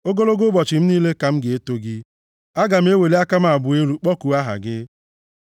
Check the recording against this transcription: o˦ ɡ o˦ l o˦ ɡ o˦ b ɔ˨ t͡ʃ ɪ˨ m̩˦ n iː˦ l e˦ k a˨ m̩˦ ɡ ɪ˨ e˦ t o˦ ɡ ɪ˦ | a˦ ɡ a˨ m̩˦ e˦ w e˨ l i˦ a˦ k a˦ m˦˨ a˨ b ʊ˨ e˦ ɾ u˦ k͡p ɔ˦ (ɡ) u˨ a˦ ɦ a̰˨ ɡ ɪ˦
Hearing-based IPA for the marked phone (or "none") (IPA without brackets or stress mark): k